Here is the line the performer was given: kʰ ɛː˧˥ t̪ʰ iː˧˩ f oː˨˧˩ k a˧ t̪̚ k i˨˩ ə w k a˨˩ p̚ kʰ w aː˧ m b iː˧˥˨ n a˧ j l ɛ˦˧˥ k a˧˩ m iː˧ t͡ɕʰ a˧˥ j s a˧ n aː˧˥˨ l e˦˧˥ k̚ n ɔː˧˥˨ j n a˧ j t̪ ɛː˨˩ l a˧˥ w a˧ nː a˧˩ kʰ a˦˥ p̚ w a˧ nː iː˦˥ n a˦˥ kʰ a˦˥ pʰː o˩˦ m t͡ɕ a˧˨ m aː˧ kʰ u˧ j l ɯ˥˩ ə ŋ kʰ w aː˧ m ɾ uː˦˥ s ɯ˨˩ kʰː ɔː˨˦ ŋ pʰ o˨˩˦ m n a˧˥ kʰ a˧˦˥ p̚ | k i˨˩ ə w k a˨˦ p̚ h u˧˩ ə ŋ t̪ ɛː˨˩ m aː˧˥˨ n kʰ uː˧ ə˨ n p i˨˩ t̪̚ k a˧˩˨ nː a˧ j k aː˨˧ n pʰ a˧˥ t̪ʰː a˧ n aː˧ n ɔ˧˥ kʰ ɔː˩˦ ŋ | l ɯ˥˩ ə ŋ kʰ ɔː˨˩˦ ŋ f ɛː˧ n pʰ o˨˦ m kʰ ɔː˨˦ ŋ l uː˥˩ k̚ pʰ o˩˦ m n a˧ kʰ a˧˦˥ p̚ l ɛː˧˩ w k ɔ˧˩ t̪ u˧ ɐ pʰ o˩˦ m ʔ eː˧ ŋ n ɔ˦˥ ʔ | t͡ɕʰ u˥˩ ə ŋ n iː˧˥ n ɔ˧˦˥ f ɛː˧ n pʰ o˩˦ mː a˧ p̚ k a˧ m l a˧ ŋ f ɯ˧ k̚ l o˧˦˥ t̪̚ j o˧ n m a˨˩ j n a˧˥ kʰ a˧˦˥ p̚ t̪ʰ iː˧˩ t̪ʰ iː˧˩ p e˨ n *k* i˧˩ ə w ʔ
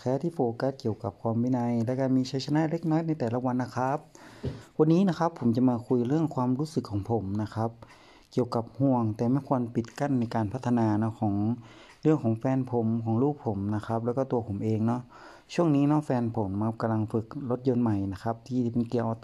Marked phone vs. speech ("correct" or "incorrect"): correct